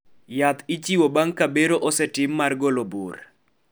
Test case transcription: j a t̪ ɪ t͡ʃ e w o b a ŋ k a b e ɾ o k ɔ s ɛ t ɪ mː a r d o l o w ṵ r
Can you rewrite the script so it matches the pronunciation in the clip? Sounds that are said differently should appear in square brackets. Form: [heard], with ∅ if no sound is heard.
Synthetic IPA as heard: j a t̪ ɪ t͡ʃ [i] w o b a ŋ k a b e ɾ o [ʔ] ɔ s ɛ t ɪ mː a r [ɡ] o l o [b] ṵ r